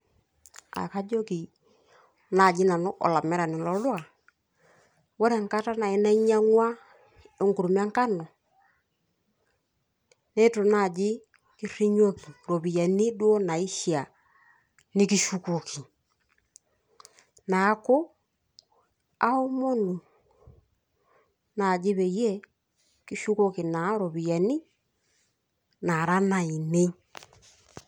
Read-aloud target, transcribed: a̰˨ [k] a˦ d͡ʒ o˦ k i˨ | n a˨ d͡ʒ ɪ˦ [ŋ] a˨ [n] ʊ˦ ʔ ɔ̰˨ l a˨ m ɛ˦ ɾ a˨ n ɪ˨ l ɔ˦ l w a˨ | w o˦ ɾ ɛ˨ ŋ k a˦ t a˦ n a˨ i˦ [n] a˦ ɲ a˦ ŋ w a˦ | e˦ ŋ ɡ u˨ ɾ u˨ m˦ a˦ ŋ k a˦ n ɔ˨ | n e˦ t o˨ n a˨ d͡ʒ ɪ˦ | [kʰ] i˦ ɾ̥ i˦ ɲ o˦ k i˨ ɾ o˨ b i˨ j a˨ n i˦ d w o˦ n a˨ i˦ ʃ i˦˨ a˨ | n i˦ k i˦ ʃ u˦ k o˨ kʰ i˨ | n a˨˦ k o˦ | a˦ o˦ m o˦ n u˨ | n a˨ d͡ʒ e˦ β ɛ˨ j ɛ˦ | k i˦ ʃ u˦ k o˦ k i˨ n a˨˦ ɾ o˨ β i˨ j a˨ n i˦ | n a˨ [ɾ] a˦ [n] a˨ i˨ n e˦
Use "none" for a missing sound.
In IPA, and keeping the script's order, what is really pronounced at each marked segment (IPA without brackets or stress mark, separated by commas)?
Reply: k, n, n, n, k, ɾ, n